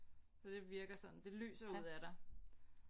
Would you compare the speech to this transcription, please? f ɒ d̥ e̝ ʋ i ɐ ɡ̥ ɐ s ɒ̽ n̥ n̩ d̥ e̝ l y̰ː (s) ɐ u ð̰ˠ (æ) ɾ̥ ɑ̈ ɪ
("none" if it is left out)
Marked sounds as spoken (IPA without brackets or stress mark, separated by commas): s, æ